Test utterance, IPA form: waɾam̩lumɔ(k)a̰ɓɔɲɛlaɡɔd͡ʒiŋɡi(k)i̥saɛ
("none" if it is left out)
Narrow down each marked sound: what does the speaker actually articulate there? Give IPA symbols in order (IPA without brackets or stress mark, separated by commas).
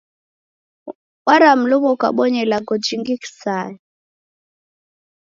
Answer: k, k